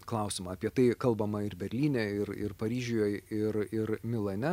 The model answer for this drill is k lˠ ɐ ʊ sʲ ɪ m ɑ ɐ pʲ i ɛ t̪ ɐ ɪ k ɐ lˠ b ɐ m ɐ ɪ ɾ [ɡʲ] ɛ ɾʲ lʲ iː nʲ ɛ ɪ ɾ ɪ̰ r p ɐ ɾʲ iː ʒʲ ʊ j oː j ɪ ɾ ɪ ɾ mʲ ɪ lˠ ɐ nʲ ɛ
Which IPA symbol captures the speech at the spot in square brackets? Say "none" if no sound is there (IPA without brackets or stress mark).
bʲ